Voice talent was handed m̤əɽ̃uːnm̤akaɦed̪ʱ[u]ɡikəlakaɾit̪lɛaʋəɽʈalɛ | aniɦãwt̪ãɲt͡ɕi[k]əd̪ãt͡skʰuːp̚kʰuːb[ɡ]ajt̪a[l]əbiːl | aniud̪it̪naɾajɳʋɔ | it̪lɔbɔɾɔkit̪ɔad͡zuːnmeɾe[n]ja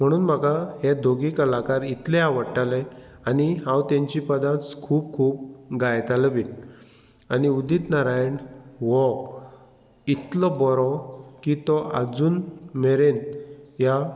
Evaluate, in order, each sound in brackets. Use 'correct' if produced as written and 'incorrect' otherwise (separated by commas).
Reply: incorrect, incorrect, correct, correct, correct